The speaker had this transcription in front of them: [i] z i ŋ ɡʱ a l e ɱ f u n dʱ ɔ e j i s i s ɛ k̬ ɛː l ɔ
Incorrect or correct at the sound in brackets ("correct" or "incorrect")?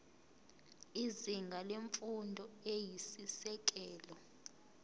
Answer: correct